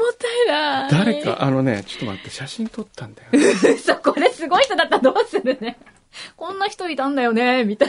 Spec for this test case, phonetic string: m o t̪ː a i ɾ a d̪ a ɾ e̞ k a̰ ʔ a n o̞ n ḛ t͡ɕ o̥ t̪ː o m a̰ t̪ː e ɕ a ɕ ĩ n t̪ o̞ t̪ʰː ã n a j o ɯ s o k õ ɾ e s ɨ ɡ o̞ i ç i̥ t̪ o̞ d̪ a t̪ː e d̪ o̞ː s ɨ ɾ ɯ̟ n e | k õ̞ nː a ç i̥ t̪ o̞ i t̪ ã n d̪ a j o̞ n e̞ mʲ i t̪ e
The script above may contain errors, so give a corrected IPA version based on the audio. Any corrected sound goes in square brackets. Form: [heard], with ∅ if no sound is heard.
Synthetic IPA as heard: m o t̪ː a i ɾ a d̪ a ɾ e̞ k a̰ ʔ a n o̞ n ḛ t͡ɕ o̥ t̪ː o m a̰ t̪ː e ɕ a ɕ ĩ n t̪ o̞ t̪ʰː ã n a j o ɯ s o k [o] ɾ e s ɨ ɡ o̞ i ç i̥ t̪ o̞ d̪ a t̪ː [a] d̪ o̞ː s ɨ ɾ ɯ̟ n e | k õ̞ nː a ç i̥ t̪ o̞ i t̪ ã n d̪ a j o̞ n e̞ mʲ i t̪ [a]